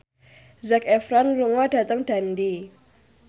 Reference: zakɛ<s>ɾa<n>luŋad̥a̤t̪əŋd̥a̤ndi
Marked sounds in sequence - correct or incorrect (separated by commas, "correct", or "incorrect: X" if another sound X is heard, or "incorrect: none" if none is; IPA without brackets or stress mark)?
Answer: incorrect: f, correct